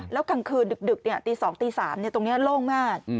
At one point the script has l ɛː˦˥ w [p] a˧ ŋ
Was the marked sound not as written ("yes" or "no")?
yes